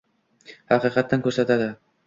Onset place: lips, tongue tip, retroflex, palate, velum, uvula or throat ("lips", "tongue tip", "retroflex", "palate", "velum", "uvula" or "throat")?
throat